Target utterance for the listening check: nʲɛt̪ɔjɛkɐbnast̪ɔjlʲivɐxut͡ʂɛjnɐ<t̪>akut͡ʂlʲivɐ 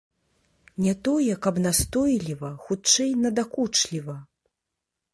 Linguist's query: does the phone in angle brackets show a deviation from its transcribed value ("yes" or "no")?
yes